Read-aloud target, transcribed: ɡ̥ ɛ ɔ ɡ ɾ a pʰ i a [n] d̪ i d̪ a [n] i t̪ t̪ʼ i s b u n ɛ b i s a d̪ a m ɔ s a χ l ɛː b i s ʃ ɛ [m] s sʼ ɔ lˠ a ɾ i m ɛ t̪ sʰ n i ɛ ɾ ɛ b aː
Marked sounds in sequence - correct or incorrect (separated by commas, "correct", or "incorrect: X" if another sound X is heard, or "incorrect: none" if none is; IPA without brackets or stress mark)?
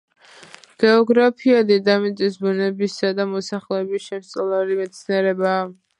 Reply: incorrect: none, incorrect: m, correct